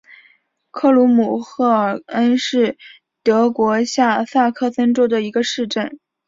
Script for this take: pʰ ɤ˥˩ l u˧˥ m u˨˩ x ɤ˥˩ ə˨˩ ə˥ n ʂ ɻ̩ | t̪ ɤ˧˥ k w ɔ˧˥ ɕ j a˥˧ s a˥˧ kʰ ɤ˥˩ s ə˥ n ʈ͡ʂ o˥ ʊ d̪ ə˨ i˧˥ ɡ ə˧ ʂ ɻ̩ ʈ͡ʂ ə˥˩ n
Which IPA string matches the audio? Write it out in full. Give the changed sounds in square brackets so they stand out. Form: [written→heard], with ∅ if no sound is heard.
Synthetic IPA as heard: [pʰ→kʰ] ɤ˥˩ l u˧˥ m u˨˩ x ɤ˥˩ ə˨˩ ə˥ n ʂ ɻ̩ | t̪ ɤ˧˥ k w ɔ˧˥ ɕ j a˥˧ s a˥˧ kʰ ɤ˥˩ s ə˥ n ʈ͡ʂ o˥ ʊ d̪ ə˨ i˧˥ ɡ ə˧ ʂ ɻ̩ ʈ͡ʂ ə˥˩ n